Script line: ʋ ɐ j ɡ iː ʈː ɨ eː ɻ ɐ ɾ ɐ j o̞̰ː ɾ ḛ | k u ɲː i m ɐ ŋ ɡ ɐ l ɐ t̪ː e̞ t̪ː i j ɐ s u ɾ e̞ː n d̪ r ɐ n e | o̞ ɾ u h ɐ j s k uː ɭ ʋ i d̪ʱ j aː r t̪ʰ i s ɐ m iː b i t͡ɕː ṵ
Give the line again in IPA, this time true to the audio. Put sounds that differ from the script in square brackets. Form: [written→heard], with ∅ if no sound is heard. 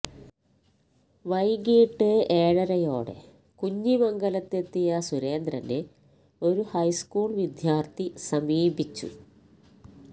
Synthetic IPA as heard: ʋ ɐ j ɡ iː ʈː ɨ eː ɻ ɐ ɾ ɐ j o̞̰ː [ɾ→ɽ] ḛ | k u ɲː i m ɐ ŋ ɡ ɐ l ɐ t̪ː e̞ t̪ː i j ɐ s u ɾ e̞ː n d̪ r ɐ n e | o̞ ɾ u h ɐ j s k uː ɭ ʋ i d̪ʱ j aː r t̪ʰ i s ɐ m iː b i t͡ɕː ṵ